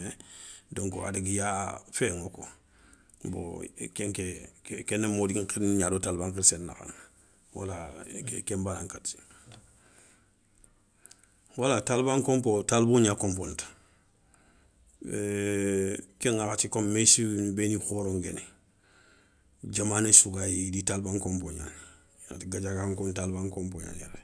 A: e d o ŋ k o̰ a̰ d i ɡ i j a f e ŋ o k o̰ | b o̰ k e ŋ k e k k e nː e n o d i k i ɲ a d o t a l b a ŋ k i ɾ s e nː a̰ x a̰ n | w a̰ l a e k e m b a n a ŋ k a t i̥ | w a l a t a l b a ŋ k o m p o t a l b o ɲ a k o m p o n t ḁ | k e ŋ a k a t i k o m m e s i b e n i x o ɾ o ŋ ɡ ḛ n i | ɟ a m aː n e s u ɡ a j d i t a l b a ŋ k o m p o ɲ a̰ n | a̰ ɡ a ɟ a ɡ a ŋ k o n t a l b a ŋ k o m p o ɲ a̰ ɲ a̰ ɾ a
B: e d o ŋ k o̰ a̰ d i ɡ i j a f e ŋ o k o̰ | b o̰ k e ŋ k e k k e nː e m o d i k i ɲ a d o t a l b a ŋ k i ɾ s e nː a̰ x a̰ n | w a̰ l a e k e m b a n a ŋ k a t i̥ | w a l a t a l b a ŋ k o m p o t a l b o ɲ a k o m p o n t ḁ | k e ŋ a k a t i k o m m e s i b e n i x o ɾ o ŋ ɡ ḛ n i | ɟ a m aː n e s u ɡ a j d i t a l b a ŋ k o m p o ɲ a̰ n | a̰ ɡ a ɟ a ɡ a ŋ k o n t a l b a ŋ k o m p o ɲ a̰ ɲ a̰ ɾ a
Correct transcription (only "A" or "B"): B